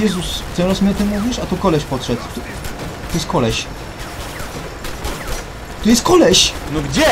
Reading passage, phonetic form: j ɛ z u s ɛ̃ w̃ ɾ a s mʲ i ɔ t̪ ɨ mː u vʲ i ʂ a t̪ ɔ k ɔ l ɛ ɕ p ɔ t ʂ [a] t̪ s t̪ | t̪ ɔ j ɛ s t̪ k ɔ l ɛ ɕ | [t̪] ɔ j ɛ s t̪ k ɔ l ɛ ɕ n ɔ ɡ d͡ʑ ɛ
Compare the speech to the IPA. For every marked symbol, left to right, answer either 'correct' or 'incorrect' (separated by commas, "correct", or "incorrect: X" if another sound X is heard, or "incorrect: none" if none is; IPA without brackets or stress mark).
incorrect: ɛ, correct